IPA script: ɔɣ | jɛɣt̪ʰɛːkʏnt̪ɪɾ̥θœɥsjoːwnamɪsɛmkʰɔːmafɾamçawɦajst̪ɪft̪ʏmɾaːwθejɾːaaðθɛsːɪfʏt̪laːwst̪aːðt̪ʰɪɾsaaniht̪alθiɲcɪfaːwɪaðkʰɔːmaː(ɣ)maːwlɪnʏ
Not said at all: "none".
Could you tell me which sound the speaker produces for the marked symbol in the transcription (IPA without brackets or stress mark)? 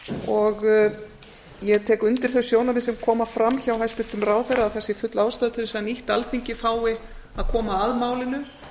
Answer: ð